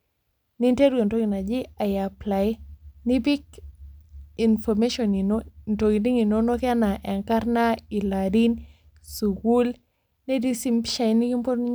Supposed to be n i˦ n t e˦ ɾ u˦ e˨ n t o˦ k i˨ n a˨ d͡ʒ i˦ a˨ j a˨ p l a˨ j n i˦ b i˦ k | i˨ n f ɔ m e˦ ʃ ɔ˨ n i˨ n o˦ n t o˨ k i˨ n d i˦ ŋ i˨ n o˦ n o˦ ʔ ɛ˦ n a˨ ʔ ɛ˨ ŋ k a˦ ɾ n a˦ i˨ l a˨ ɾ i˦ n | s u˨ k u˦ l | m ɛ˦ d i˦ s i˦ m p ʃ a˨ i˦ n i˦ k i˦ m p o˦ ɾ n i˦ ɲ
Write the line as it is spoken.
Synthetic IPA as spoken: n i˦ n t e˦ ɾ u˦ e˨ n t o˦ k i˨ n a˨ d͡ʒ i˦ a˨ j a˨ p l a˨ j n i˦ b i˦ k | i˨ n f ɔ m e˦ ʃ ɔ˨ n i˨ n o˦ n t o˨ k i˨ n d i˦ ŋ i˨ n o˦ n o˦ k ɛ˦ n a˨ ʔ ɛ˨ ŋ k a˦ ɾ n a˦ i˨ l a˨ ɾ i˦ n | s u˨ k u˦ l | n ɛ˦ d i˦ s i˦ m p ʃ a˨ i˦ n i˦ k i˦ m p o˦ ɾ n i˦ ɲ